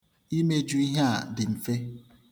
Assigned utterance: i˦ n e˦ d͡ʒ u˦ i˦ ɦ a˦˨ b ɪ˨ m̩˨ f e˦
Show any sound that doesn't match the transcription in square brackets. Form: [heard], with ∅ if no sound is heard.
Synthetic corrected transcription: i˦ [m] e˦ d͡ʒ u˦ i˦ ɦ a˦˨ [d] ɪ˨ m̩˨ f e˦